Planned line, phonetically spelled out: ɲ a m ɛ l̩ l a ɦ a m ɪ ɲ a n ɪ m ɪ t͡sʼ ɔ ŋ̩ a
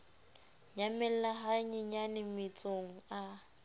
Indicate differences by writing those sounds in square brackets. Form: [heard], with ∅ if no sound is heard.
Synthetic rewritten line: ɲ a m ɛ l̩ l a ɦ a [ɲ] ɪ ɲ a n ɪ m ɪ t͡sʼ [o] ŋ̩ a